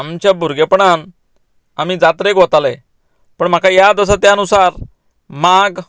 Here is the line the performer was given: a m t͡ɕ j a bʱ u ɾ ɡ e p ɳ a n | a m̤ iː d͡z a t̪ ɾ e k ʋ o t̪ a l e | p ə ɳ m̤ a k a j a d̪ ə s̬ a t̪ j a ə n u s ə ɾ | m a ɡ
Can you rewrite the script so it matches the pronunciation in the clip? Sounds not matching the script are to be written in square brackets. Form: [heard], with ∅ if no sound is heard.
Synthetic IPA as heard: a m t͡ɕ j a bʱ u ɾ ɡ e p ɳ a n | a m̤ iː d͡z a t̪ ɾ e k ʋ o t̪ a l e | p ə ɳ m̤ a k a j a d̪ ə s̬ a t̪ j a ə n u s [a] ɾ | m a ɡ